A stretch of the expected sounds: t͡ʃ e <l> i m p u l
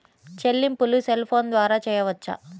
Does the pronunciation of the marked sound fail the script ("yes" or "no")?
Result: yes